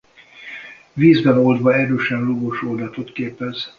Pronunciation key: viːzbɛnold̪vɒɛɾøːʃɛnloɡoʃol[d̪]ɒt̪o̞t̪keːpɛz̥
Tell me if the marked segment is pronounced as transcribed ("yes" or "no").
yes